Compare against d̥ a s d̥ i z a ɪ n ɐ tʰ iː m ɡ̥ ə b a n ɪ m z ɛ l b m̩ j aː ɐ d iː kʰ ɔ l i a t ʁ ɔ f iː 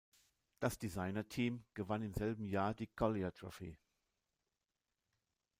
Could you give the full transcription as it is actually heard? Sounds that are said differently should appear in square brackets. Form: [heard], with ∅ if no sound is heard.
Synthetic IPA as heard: d̥ a s d̥ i z a ɪ n ɐ tʰ iː m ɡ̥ ə [v] a n ɪ m z ɛ l b m̩ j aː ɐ d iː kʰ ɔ l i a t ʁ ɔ f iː